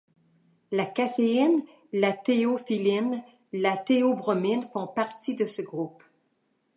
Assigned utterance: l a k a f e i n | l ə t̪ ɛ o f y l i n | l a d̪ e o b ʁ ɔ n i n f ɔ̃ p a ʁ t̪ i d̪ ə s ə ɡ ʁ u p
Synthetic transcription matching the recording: l a k a f e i n | l a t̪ e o f i l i n | l a t̪ e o b ʁ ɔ m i n f ɔ̃ p a ʁ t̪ i d̪ ə s ə ɡ ʁ u p